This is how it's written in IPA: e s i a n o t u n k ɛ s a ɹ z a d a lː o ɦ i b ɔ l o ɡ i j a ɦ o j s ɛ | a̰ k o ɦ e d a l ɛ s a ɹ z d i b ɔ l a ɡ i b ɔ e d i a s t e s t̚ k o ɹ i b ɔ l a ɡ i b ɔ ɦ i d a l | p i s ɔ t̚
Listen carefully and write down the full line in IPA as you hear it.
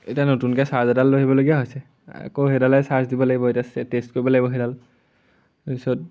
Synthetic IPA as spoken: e t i a n o t u n k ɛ s a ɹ z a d a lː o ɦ i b ɔ l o ɡ i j a ɦ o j s ɛ | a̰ k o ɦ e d a l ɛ s a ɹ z d i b ɔ l a ɡ i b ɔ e t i a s t e s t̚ k o ɹ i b ɔ l a ɡ i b ɔ ɦ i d a l | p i s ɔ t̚